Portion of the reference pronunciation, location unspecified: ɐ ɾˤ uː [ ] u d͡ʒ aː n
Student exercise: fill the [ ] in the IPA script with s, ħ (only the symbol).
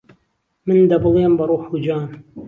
ħ